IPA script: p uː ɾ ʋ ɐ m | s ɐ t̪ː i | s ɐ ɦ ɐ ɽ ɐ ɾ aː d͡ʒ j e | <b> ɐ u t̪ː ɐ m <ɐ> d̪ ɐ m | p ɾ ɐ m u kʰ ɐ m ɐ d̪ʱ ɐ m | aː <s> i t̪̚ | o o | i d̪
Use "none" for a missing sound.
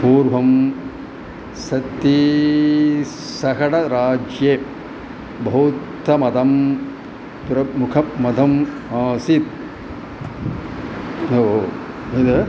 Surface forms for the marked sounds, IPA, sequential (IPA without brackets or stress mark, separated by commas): b, ɐ, s